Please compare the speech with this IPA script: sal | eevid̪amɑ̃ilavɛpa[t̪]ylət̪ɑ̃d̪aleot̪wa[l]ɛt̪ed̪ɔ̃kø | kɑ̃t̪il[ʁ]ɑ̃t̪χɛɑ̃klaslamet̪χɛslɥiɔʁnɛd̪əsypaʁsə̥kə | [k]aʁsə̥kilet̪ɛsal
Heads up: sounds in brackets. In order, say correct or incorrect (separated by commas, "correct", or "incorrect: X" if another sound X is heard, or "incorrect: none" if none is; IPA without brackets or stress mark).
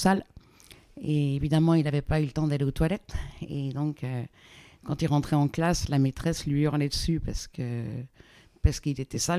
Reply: incorrect: none, correct, correct, incorrect: p